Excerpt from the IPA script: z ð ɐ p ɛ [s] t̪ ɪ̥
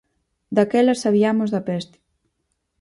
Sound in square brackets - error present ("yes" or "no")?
no